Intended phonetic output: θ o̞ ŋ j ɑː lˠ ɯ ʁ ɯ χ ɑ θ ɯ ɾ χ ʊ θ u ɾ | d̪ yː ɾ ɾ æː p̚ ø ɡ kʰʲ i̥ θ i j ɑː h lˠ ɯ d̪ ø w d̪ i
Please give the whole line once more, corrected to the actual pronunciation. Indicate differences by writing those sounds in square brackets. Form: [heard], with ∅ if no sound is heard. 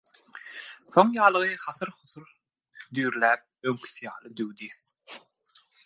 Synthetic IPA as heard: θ o̞ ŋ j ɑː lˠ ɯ ʁ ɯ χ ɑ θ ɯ ɾ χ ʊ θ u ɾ | d̪ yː ɾ [l] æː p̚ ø [ŋ] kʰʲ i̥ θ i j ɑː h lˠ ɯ d̪ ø w d̪ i